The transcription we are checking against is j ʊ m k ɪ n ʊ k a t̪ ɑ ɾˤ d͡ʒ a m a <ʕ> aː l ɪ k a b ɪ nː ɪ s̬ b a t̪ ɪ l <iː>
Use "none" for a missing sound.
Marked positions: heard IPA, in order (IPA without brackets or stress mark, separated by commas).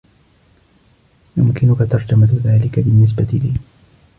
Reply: ð, iː